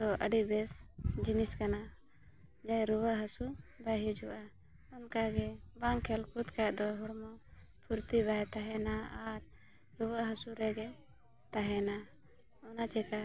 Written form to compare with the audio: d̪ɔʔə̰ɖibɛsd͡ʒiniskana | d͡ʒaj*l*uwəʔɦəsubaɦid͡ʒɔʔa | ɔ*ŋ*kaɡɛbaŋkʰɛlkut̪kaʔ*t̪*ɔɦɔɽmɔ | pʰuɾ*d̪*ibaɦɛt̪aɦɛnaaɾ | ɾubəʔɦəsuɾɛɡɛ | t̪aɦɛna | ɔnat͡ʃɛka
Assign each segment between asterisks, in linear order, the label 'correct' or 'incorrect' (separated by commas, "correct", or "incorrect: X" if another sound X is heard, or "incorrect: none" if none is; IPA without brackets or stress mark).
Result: incorrect: ɾ, incorrect: n, incorrect: d̪, incorrect: t̪